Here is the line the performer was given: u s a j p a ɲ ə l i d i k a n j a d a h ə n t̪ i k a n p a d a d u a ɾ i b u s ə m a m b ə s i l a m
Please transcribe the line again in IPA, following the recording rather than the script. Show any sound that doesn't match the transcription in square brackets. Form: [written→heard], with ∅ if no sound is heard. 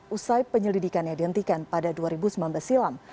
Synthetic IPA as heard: u s a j p [a→ə] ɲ ə l i d i k a n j a d [a→i] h ə n t̪ i k a n p a d a d u a ɾ i b u s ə m a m b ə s i l a m